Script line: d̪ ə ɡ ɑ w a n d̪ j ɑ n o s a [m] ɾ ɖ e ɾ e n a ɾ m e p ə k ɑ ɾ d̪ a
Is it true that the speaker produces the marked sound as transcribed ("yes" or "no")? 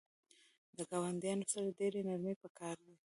no